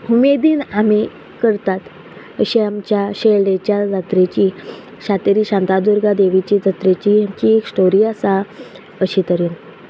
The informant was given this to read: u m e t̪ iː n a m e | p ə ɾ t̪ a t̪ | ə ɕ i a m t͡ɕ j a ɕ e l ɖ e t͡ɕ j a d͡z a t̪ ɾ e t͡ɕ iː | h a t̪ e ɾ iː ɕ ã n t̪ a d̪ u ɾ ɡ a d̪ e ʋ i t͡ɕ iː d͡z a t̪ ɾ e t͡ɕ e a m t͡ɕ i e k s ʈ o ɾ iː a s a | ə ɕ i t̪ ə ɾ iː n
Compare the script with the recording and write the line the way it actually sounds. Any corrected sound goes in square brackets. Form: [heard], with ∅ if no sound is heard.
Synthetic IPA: u m e [d̪] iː n a m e | [k] ə ɾ t̪ a t̪ | ə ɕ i a m t͡ɕ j a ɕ e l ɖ e t͡ɕ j a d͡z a t̪ ɾ e t͡ɕ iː | [ɕ] a t̪ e ɾ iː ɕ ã n t̪ a d̪ u ɾ ɡ a d̪ e ʋ i t͡ɕ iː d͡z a t̪ ɾ e t͡ɕ [i] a m t͡ɕ i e k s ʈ o ɾ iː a s a | ə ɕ i t̪ ə ɾ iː n